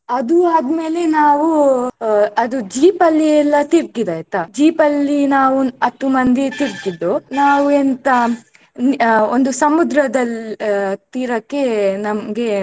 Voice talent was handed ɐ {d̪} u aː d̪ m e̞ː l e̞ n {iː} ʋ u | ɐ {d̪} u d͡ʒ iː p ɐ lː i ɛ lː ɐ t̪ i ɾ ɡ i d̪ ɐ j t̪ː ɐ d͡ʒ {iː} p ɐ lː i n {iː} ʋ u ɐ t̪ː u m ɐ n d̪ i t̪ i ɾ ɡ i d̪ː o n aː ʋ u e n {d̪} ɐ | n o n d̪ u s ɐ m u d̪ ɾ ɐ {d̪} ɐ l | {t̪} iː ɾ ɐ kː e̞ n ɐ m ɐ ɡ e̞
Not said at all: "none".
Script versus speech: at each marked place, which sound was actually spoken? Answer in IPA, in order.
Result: d̪, aː, d̪, iː, aː, t̪, d̪, t̪

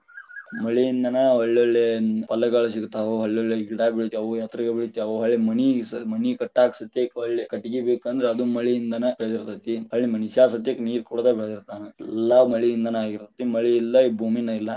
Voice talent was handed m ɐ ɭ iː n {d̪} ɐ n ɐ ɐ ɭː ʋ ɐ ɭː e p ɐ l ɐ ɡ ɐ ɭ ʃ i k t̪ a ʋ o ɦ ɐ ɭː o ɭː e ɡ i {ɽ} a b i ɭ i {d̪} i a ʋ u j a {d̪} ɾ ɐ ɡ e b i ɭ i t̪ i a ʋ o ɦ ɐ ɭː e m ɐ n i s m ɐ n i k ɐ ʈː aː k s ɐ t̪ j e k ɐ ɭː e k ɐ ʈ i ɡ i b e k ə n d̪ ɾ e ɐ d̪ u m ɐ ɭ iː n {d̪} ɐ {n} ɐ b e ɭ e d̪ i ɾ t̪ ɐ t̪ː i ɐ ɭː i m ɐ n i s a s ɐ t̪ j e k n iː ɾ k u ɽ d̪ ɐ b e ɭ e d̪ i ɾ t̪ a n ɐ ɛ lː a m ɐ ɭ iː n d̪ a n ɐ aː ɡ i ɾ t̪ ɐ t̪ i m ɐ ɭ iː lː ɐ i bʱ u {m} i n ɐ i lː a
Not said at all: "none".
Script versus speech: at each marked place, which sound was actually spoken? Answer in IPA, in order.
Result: d̪, ɽ, t̪, t̪, d̪, n, m

